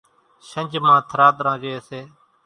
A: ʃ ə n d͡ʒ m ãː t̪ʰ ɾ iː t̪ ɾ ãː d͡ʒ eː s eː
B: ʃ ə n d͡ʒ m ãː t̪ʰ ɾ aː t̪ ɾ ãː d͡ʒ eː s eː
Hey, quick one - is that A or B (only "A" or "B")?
B